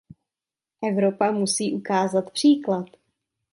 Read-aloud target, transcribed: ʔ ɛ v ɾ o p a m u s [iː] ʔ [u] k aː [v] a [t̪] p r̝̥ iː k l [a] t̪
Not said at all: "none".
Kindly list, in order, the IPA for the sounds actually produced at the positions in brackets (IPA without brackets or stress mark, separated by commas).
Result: iː, u, z, t̪, a